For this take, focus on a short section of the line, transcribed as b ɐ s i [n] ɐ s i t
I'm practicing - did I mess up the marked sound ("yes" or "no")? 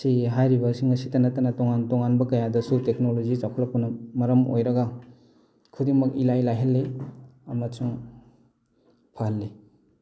yes